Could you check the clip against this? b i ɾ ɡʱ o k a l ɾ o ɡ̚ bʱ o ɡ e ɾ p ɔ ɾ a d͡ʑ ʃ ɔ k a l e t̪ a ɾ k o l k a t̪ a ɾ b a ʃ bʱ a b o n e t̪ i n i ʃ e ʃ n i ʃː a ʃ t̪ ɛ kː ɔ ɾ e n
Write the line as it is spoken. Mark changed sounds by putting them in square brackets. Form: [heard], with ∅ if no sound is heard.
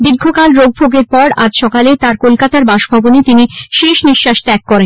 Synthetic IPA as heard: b i ɾ ɡʱ o k a l ɾ o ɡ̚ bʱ o ɡ e ɾ p ɔ ɾ a d͡ʑ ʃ ɔ k a l e t̪ a ɾ k o l k a t̪ a ɾ b a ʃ bʱ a b o n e t̪ i n i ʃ e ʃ n i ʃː a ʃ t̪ ɛ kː ɔ ɾ e n